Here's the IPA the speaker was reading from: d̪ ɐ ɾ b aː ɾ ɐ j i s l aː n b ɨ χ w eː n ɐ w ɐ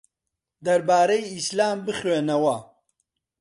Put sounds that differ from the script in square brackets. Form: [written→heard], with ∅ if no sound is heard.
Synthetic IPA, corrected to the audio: d̪ ɐ ɾ b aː ɾ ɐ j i s l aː [n→m] b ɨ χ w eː n ɐ w ɐ